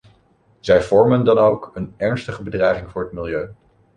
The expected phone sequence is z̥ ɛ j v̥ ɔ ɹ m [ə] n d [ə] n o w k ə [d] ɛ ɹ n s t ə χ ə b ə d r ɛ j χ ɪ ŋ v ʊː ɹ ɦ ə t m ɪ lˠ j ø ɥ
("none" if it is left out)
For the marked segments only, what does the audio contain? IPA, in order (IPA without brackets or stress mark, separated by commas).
ə, ɑ, n